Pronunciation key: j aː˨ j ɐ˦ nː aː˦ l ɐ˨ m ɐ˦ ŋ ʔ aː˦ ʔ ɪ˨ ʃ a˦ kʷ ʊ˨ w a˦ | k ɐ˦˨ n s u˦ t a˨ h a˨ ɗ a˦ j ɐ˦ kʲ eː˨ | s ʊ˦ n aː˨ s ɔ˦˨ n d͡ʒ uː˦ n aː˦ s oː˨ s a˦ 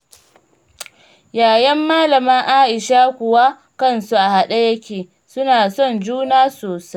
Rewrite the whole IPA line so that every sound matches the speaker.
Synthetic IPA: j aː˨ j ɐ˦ mː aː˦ l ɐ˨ m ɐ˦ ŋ ʔ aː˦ ʔ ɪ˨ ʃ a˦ kʷ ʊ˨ w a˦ | k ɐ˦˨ n s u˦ ʔ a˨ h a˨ ɗ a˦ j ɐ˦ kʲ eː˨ | s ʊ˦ n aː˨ s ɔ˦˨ n d͡ʒ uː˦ n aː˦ s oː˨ s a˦